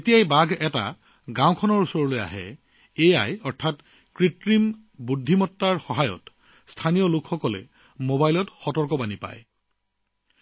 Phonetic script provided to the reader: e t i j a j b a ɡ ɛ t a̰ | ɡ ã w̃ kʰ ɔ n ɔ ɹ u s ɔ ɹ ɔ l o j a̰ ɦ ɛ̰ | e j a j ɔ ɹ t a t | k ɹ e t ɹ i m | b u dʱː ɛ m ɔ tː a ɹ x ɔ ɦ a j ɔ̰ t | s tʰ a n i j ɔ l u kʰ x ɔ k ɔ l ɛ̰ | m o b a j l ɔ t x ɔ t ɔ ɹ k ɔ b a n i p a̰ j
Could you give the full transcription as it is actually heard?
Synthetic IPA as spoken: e t i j a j b a ɡ ɛ t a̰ | ɡ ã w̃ kʰ ɔ n ɔ ɹ u s ɔ ɹ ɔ l o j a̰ ɦ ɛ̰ | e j a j ɔ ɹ tʰ a t | k ɹ i t ɹ i m | b u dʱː i m ɔ tː a ɹ x ɔ ɦ a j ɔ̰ t | s tʰ a n i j ɔ l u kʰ x ɔ k ɔ l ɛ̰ | m o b a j l ɔ t x ɔ t ɔ ɹ k ɔ b a n i p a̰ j

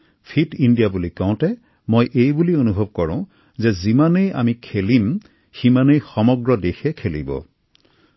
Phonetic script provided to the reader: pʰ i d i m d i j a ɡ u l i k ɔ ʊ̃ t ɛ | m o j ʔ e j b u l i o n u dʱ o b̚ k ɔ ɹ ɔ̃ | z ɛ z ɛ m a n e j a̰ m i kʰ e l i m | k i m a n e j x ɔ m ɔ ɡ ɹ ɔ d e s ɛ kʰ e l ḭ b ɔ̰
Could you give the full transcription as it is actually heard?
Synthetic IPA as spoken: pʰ i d i n d i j a b u l i k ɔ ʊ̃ t ɛ | m o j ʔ e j b u l i o n u bʱ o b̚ k ɔ ɹ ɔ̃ | z ɛ z i m a n e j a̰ m i kʰ e l i m | x i m a n e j x ɔ m ɔ ɡ ɹ ɔ d e x ɛ kʰ e l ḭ b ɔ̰

